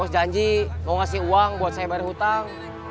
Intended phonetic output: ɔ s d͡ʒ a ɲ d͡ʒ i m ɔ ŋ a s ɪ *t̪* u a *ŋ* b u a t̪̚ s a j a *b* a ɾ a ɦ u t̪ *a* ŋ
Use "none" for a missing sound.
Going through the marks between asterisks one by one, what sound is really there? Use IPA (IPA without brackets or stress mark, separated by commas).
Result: none, ŋ, b, a